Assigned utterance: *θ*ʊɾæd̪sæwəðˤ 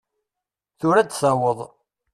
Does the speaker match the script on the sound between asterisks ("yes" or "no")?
yes